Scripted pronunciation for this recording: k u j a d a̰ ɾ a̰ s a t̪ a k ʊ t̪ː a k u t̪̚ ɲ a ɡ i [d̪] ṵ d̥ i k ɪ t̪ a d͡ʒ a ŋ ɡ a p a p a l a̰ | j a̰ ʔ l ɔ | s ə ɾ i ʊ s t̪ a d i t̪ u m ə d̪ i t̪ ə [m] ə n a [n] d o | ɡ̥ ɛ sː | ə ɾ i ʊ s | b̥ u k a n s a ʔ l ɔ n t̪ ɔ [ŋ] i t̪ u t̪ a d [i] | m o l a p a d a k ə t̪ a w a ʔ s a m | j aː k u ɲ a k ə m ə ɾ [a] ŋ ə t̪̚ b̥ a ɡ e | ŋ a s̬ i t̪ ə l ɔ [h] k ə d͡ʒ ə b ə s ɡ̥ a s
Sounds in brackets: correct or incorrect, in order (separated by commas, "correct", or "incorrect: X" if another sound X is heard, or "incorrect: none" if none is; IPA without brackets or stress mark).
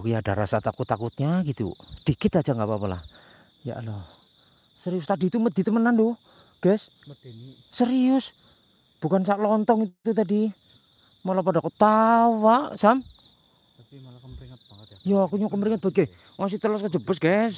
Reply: incorrect: t̪, correct, correct, correct, correct, incorrect: i, incorrect: s